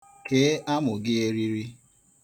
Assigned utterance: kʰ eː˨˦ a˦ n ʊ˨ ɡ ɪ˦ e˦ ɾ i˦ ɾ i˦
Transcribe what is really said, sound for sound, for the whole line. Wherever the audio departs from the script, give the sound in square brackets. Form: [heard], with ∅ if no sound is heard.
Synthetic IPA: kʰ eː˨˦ a˦ [m] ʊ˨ ɡ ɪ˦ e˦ ɾ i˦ ɾ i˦